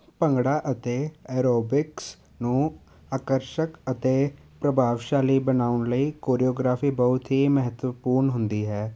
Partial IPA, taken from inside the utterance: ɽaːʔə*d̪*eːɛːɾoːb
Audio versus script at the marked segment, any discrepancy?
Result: yes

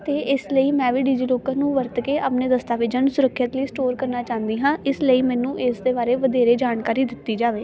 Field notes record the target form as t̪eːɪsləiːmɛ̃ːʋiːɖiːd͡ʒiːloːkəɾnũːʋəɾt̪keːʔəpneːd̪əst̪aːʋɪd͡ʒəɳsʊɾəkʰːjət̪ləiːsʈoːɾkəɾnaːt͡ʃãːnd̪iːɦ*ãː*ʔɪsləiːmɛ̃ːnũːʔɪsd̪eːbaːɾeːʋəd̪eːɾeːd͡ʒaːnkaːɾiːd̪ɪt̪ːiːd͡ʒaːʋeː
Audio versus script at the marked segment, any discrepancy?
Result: no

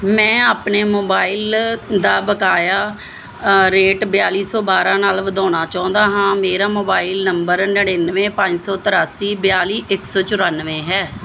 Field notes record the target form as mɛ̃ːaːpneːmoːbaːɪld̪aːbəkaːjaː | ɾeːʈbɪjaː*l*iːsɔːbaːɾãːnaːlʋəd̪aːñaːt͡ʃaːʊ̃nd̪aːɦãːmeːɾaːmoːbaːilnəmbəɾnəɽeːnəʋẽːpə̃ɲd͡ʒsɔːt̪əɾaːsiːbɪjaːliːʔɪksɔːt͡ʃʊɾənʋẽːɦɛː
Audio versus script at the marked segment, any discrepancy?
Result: no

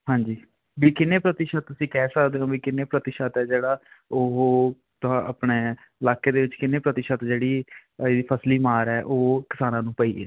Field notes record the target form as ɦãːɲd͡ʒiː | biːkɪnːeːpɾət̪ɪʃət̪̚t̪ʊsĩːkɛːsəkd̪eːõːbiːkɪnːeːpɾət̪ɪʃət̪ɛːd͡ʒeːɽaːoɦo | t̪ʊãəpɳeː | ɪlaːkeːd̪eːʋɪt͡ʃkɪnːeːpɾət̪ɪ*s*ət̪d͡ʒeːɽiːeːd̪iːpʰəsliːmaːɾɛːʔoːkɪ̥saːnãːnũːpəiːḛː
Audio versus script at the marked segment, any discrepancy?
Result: yes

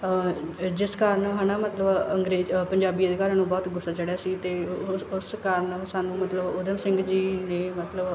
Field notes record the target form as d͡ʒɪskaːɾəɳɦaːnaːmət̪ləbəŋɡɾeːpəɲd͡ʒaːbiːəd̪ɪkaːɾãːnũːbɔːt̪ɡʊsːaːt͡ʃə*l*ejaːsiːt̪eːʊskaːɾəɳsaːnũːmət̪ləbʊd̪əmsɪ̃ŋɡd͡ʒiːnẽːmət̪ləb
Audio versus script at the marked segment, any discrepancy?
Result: yes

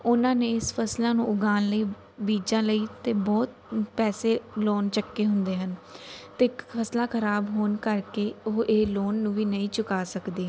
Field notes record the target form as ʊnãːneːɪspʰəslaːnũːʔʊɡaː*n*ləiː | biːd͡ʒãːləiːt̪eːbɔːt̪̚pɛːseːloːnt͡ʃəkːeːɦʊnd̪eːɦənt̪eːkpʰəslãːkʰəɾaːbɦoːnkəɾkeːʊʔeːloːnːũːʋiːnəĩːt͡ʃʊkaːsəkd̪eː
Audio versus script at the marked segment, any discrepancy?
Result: no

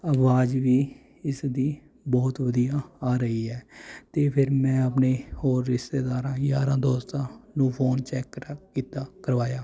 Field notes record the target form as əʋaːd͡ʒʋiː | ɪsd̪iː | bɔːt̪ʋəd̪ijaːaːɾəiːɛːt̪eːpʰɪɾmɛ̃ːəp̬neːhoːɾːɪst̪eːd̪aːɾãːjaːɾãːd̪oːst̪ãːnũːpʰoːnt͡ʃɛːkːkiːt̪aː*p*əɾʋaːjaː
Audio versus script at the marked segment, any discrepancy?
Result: yes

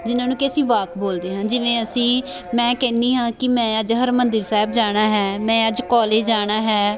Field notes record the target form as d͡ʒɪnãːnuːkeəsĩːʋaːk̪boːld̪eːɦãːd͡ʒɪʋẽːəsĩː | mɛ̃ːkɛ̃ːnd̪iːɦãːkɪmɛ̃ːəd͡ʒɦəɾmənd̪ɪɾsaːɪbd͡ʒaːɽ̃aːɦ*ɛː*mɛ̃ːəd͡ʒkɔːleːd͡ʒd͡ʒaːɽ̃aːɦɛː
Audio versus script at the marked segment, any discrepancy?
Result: no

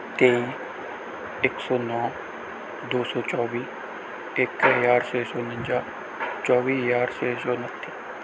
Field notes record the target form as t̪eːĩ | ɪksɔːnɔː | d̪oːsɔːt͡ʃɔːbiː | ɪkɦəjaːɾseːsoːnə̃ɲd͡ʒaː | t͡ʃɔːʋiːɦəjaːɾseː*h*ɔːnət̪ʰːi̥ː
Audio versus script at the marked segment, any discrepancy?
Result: yes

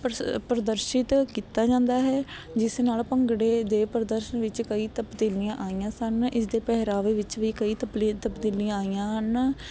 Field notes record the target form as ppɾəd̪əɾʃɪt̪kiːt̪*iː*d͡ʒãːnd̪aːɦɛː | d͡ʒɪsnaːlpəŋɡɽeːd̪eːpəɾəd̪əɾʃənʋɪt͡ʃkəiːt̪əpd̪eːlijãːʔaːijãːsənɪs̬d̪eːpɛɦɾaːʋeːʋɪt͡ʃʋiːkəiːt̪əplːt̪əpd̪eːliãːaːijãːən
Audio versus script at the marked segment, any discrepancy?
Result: yes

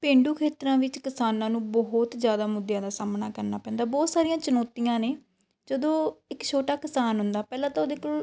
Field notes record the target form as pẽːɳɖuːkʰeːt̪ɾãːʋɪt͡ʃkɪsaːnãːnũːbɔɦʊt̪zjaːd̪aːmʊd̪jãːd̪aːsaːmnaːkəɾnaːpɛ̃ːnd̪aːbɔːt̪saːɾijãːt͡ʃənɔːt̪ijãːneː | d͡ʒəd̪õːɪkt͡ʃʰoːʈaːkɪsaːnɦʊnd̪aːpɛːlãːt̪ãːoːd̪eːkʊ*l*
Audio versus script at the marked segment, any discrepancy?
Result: no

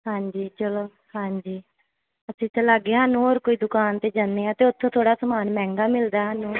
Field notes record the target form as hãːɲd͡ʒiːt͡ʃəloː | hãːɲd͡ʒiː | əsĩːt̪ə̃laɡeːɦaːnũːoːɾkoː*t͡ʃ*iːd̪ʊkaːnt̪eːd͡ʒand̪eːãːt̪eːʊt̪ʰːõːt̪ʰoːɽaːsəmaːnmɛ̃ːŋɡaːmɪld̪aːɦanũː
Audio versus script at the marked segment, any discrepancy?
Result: yes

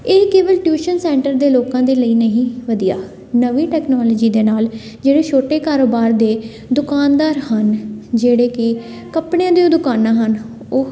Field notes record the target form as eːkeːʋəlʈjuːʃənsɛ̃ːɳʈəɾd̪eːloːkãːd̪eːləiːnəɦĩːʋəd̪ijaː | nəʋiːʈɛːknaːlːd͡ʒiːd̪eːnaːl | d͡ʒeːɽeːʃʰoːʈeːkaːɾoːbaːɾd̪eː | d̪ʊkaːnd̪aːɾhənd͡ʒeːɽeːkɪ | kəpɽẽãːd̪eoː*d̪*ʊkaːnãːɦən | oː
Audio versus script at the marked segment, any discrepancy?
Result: no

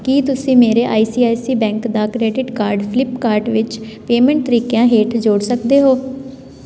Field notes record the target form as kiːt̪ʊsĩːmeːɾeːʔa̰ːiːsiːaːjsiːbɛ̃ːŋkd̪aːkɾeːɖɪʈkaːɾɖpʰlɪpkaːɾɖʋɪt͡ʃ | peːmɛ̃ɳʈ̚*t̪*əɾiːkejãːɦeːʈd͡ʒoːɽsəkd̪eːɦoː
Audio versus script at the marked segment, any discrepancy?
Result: no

